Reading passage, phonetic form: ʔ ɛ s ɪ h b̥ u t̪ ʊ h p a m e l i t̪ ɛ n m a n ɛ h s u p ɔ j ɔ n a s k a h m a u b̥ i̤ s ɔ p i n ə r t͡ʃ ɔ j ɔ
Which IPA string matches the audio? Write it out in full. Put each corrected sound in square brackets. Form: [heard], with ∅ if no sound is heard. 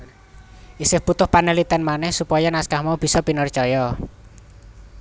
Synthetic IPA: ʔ [i] s ɪ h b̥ u t̪ ʊ h p a [n] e l i t̪ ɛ n m a n ɛ h s u p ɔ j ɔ n a s k a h m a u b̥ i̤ s ɔ p i n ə r t͡ʃ ɔ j ɔ